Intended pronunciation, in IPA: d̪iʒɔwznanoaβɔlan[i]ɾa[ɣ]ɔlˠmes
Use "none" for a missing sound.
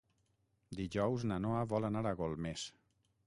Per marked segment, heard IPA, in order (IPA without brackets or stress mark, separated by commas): a, ɣ